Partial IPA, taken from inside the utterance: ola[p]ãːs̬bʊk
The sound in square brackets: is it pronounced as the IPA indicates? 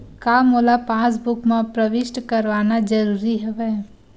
yes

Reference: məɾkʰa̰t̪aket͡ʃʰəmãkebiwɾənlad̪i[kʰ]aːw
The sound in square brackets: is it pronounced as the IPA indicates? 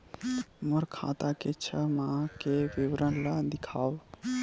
yes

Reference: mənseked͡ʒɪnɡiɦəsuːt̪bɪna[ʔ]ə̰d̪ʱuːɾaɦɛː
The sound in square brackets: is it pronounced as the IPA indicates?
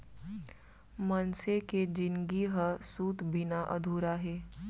yes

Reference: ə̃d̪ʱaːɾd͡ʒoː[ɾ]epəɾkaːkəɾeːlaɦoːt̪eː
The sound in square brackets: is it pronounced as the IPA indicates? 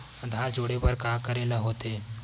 no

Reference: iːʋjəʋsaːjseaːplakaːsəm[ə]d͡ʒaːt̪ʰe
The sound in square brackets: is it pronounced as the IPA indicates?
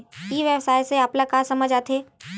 yes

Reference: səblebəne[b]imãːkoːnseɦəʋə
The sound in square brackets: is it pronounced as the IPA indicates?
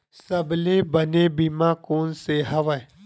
yes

